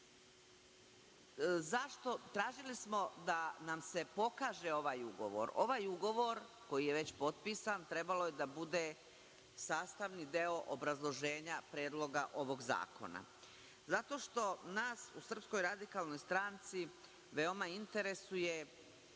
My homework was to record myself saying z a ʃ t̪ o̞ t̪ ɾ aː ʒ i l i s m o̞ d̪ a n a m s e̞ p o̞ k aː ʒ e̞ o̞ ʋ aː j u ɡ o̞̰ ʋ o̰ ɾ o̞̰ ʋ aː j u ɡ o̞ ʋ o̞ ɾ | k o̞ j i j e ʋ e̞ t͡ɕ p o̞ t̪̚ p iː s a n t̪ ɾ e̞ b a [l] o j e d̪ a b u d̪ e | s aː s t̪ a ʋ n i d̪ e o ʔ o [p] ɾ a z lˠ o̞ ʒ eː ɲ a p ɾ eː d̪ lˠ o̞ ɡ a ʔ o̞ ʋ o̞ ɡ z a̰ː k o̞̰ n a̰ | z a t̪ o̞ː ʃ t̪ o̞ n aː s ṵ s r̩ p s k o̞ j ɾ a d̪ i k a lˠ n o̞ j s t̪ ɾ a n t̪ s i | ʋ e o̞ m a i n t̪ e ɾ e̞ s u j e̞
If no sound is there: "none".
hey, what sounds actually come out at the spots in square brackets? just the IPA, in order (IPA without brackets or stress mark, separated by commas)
l, b